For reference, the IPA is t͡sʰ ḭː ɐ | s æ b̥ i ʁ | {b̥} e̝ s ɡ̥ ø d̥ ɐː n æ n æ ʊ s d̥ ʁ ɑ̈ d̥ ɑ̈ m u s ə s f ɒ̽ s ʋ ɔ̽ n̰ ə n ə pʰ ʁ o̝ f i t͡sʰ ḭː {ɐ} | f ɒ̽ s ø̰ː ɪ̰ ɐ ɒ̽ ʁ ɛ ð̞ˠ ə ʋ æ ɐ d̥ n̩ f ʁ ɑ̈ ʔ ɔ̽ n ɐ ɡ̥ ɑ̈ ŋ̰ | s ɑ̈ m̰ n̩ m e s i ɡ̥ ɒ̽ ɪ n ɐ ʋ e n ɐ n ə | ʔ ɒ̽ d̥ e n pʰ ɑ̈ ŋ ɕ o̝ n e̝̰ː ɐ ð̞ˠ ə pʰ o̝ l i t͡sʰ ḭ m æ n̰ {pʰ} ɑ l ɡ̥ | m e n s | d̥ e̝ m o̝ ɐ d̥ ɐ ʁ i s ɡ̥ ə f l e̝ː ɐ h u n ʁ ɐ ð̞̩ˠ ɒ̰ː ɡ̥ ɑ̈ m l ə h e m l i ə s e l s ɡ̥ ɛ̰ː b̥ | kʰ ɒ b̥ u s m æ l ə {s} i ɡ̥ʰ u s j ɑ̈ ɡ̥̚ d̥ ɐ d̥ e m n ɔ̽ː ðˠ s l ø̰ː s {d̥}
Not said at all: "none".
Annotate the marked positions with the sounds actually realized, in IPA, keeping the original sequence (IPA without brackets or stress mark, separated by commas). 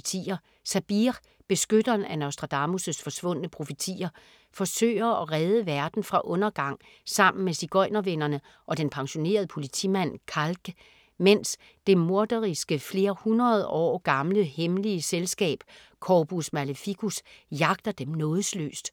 b̥, ɐ, kʰ, f, d̥